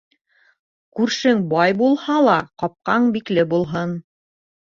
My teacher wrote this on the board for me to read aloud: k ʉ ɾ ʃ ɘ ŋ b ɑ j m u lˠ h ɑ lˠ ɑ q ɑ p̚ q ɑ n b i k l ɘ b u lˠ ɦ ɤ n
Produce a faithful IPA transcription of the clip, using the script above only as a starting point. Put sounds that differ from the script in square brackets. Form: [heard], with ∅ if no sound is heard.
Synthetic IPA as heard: k ʉ ɾ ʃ ɘ ŋ b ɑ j [b] u lˠ h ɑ lˠ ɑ q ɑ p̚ q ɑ [ɴ] b i k l ɘ b u lˠ ɦ ɤ n